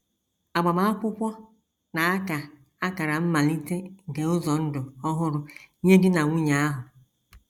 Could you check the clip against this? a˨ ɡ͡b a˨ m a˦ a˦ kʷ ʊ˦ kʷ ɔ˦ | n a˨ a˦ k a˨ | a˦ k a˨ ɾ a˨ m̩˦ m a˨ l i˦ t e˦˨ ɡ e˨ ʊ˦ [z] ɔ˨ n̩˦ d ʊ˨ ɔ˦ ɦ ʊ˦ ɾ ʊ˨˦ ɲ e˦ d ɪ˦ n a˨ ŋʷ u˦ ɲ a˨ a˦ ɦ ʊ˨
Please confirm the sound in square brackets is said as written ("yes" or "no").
yes